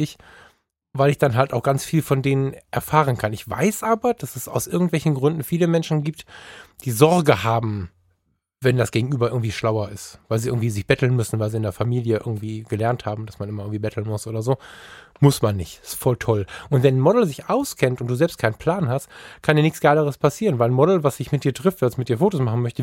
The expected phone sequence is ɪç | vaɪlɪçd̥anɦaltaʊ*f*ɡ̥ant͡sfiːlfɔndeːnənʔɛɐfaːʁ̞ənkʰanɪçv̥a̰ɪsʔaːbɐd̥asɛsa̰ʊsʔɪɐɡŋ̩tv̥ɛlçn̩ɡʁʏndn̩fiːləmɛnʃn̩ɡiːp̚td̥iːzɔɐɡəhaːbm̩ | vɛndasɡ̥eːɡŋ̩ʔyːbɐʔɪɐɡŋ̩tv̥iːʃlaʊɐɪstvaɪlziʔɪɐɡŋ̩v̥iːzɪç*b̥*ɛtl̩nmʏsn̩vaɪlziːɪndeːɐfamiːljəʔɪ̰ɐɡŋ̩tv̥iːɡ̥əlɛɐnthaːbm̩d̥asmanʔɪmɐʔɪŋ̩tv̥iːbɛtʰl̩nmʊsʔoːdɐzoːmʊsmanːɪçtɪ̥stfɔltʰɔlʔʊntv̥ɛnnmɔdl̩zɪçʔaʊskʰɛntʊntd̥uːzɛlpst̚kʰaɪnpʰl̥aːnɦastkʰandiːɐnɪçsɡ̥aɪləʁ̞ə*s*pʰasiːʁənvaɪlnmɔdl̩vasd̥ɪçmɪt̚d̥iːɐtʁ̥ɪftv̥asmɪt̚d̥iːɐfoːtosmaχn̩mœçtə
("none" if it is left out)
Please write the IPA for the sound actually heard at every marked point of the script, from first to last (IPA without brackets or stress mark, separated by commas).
x, b̥, s